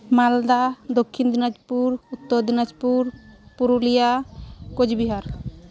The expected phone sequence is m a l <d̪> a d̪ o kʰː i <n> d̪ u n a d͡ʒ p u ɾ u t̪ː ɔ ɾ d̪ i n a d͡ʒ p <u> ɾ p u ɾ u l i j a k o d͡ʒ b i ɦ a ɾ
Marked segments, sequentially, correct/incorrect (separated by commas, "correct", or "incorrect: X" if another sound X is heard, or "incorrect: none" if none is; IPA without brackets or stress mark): correct, correct, correct